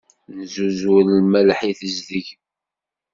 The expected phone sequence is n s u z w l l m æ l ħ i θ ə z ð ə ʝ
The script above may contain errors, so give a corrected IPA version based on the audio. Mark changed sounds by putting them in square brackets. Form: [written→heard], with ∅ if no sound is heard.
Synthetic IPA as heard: n [s→z] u z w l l m æ l ħ i θ ə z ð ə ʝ